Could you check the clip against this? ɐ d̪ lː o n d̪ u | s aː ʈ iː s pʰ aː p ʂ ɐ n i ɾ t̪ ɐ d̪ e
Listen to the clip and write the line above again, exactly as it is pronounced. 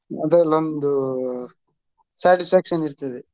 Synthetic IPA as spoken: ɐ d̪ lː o n d̪ u | s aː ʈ i s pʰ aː k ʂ ɐ n i ɾ t̪ ɐ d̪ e